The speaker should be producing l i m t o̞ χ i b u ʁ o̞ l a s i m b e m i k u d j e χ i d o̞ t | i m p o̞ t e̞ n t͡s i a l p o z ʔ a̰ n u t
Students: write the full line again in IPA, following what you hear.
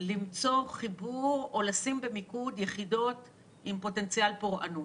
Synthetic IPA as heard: l i m t͡s o̞ χ i b u ʁ o̞ l a s i m b e m i k u d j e χ i d o̞ t | i m p o̞ t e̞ n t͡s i a l p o ʁ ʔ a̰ n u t